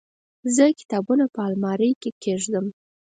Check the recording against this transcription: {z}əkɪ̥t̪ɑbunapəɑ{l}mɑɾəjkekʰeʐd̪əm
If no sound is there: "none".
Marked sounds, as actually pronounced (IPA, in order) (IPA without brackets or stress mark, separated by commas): z, l